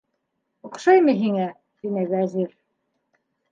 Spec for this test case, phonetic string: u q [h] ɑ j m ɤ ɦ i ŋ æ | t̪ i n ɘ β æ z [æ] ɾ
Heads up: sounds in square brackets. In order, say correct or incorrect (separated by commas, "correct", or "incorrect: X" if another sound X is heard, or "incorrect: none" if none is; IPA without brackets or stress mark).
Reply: incorrect: ʃ, incorrect: i